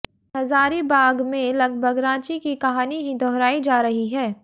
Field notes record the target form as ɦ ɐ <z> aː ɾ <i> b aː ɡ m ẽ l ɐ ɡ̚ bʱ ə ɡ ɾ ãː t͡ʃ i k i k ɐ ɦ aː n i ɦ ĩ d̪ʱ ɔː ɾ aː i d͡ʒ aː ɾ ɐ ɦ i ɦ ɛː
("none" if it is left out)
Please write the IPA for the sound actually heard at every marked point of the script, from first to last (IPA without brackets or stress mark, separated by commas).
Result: z, i